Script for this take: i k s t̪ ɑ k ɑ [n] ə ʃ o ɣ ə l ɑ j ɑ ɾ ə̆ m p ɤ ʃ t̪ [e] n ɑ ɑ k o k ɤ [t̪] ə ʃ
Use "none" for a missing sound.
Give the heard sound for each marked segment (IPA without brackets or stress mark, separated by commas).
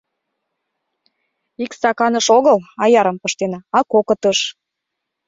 n, e, t̪